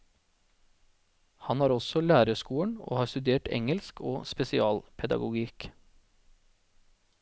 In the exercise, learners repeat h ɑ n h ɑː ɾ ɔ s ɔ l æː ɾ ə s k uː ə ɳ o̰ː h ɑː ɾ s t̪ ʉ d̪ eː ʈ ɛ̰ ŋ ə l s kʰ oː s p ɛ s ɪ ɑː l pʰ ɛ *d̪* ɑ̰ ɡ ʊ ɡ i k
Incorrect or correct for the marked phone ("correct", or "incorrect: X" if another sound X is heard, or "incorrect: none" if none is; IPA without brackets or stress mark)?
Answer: correct